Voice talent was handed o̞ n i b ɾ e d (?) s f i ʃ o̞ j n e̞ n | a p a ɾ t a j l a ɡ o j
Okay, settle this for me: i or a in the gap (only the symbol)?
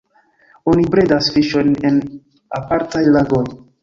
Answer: a